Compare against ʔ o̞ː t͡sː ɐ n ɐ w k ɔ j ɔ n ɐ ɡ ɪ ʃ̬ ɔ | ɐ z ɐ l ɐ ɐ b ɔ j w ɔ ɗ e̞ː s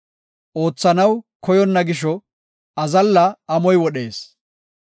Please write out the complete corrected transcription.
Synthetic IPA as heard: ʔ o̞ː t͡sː ɐ n ɐ w k ɔ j ɔ nː ɐ ɡ ɪ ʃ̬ ɔ | ɐ z ɐ lː ɐ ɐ m ɔ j w ɔ ɗ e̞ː s